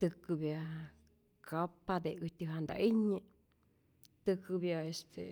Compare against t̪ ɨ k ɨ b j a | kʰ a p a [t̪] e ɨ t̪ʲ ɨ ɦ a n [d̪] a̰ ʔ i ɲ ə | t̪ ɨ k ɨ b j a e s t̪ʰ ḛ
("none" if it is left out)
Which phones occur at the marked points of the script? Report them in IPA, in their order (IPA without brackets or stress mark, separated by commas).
d̪, d̪